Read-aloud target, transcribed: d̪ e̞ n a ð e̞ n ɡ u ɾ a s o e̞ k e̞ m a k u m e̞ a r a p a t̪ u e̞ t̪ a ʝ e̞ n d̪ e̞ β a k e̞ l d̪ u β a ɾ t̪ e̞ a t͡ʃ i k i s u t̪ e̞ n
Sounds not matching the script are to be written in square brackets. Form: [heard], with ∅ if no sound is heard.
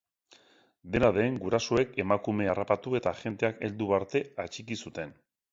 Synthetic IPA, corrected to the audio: d̪ e̞ n a ð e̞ [ŋ] ɡ u ɾ a s o e̞ k e̞ m a k u m e̞ a r a p a t̪ u e̞ t̪ a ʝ e̞ n [t̪] e̞ [∅] a k e̞ l d̪ u β a ɾ t̪ e̞ a t͡ʃ i k i s u t̪ e̞ n

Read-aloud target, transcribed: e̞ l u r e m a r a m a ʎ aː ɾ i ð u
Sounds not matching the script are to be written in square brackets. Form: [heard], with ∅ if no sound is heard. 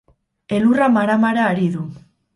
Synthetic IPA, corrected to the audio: e̞ l u r [a] m a [ɾ] a m a [ɾ] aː ɾ i ð u

